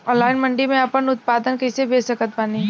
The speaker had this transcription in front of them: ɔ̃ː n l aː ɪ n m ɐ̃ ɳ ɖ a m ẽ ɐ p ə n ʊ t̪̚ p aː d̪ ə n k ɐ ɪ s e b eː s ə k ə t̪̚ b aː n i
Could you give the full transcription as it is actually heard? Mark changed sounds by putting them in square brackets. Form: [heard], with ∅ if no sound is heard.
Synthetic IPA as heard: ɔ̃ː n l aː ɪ n m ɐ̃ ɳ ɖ [i] m ẽ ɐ p ə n ʊ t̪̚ p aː d̪ ə n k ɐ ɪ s e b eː s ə k ə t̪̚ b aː n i